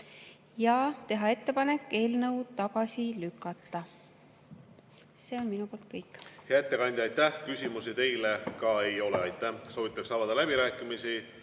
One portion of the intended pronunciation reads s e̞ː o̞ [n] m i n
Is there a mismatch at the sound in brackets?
no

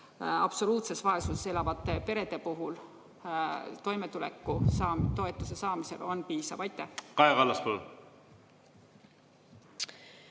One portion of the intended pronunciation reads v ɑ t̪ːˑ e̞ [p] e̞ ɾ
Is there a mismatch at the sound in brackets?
no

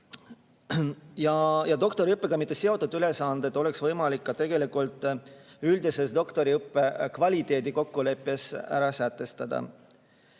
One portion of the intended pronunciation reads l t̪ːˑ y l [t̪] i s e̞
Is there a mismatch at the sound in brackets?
yes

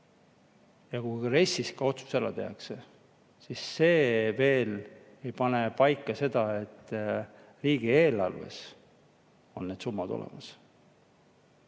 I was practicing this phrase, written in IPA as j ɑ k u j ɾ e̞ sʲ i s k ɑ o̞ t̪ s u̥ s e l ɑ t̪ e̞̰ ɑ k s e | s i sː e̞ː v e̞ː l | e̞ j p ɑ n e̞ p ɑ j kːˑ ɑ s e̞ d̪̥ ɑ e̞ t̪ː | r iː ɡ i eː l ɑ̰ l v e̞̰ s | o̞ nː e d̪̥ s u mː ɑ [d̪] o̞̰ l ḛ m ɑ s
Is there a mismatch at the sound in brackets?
no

